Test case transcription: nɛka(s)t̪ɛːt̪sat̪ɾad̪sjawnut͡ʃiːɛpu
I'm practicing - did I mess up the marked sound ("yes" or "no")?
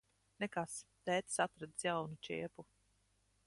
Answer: no